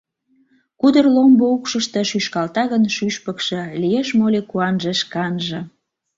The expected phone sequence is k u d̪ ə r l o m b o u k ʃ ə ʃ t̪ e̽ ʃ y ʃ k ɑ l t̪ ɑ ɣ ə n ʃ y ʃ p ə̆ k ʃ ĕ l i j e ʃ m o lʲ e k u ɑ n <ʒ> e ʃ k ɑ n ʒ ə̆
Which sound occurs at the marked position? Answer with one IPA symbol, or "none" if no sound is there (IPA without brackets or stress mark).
ʒ